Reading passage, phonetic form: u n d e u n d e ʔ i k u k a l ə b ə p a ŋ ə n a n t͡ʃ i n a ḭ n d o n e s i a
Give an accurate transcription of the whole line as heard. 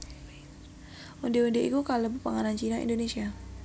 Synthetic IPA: u n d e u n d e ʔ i k u k a l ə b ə p a ŋ a n a n t͡ʃ i n a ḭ n d o n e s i a